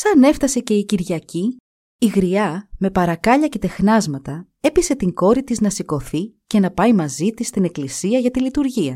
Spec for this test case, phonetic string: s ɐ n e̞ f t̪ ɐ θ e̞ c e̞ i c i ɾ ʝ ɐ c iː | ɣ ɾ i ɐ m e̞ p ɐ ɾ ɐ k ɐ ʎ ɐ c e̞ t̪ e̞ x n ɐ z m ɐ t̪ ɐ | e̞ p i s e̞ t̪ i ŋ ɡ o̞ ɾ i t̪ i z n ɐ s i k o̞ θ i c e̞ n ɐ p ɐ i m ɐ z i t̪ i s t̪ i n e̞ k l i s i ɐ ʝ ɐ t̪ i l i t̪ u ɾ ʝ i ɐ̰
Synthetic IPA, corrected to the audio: s ɐ n e̞ f t̪ ɐ s e̞ c e̞ i c i ɾ ʝ ɐ c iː | ɣ ɾ i ɐ m e̞ p ɐ ɾ ɐ k ɐ ʎ ɐ c e̞ t̪ e̞ x n ɐ z m ɐ t̪ ɐ | e̞ p i s e̞ t̪ i ŋ ɡ o̞ ɾ i t̪ i z n ɐ s i k o̞ θ i c e̞ n ɐ p ɐ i m ɐ z i t̪ i s t̪ i n e̞ k l i s i ɐ ʝ ɐ t̪ i l i t̪ u ɾ ʝ i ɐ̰